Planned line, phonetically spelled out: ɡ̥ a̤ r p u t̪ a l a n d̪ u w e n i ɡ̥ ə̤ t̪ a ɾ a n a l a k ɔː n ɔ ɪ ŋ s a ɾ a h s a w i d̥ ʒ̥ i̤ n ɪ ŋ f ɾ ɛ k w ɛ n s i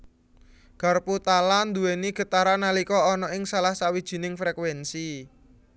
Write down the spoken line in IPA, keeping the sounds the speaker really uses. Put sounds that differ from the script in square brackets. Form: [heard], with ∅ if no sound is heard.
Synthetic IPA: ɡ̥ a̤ r p u t̪ a l a n d̪ u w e n i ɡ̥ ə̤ t̪ a ɾ a n a l [i] k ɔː n ɔ ɪ ŋ s a [l] a h s a w i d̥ ʒ̥ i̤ n ɪ ŋ f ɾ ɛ k w ɛ n s i